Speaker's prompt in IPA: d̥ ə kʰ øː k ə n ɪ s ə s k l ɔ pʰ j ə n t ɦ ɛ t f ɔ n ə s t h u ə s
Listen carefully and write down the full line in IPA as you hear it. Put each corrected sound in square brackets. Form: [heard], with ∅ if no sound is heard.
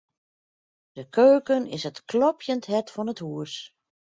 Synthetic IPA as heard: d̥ ə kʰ øː k ə n ɪ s ə [t] k l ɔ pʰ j ə n t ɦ ɛ t f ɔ n ə [∅] t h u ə s